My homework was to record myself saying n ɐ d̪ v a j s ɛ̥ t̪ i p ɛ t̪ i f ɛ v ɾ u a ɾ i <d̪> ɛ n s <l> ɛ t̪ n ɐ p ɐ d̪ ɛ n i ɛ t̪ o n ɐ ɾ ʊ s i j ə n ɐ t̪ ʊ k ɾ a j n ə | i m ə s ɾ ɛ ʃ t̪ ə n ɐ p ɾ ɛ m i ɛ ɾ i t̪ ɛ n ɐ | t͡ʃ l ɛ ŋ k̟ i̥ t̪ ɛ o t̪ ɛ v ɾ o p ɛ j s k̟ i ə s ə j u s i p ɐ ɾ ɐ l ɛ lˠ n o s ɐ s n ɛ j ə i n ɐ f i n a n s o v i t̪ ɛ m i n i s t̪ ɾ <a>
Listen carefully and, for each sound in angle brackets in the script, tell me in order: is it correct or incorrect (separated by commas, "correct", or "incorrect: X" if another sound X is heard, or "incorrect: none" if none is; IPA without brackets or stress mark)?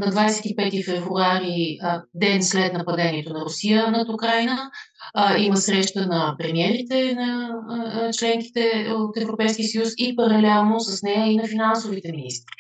correct, correct, incorrect: i